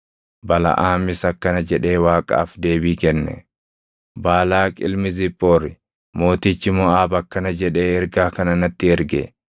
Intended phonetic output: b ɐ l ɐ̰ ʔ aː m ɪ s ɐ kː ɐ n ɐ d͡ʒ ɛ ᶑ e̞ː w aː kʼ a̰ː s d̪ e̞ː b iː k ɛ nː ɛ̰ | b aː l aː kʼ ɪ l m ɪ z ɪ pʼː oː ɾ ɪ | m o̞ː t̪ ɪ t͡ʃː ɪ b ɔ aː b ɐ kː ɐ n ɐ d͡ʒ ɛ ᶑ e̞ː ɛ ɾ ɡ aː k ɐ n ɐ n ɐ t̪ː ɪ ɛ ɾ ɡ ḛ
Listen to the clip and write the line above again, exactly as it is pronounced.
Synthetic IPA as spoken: b ɐ l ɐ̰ ʔ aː m ɪ s ɐ kː ɐ n ɐ d͡ʒ ɛ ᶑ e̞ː w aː kʼ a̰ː f d̪ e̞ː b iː k ɛ nː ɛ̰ | b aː l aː kʼ ɪ l m ɪ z ɪ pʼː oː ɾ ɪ | m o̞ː t̪ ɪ t͡ʃː ɪ m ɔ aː b ɐ kː ɐ n ɐ d͡ʒ ɛ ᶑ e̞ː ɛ ɾ ɡ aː k ɐ n ɐ n ɐ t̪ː ɪ ɛ ɾ ɡ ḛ